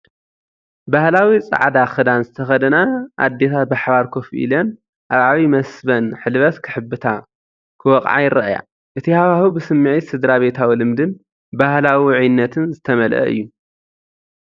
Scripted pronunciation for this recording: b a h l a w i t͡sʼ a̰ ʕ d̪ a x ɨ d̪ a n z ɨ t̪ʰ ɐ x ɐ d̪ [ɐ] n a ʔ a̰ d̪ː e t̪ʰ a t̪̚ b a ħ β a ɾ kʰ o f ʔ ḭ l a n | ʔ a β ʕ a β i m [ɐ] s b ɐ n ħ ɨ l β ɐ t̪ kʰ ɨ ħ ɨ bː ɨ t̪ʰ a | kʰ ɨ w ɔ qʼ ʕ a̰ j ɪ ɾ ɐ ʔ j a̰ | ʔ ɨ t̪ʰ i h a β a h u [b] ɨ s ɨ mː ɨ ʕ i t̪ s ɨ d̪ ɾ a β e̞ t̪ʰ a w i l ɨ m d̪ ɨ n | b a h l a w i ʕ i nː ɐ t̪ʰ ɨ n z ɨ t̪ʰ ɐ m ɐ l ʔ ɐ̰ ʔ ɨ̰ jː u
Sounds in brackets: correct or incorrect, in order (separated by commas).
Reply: correct, correct, correct